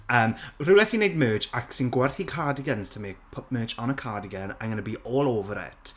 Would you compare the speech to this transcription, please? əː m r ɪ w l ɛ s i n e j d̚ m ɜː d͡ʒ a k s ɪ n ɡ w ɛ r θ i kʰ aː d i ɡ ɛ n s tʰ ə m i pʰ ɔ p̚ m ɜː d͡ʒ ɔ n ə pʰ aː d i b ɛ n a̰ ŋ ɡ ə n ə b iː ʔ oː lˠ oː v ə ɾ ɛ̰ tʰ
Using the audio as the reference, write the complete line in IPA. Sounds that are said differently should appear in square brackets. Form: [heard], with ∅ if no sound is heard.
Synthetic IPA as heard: əː m r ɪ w l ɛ s i n e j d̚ m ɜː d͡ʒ a k s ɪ n ɡ w ɛ r θ i kʰ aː d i ɡ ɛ n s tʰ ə m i pʰ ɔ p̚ m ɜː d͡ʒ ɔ n ə [kʰ] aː d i [ɡ] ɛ n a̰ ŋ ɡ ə n ə b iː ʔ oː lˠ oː v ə ɾ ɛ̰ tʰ